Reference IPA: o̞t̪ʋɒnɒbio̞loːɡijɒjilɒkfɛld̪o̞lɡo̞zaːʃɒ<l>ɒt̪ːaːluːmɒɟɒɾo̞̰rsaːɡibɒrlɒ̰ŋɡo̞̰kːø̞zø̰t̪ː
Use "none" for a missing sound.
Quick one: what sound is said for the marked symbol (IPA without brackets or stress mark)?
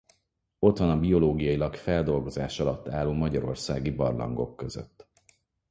l